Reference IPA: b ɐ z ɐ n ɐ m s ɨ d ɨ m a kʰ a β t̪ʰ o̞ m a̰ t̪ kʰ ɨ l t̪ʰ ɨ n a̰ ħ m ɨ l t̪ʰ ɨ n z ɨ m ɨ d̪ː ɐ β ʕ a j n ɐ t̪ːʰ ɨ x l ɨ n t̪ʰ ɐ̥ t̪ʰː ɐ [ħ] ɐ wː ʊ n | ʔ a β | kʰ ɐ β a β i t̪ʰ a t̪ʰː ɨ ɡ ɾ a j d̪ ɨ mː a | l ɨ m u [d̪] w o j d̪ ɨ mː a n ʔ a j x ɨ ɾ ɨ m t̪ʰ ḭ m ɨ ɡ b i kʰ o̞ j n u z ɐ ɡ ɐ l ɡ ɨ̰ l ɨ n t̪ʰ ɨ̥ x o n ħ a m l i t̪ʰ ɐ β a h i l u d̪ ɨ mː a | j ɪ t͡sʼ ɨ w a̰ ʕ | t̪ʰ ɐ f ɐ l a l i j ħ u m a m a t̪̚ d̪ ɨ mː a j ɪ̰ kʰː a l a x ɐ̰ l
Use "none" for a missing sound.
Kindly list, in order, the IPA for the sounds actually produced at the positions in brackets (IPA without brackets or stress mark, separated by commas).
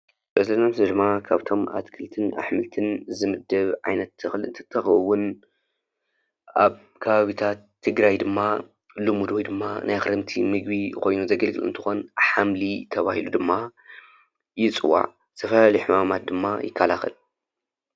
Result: x, d̪